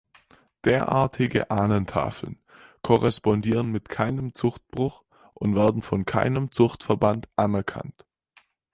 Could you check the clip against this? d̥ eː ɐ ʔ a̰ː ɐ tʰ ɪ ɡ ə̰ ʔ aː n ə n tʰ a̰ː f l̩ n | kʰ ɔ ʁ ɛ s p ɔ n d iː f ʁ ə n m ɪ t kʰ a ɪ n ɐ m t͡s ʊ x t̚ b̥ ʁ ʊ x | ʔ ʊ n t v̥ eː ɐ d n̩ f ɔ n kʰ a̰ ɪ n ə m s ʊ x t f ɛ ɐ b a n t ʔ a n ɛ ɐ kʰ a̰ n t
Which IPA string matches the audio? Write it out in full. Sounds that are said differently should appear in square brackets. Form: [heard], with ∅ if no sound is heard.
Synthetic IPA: d̥ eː ɐ ʔ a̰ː ɐ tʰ ɪ ɡ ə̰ ʔ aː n ə n tʰ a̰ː f l̩ n | kʰ ɔ ʁ ɛ s p ɔ n d iː [∅] ʁ ə n m ɪ t kʰ a ɪ n [ə] m t͡s ʊ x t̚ b̥ ʁ ʊ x | ʔ ʊ n t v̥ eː ɐ d n̩ f ɔ n kʰ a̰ ɪ n ə m [t͡s] ʊ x t f ɛ ɐ b a n t ʔ a n ɛ ɐ kʰ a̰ n t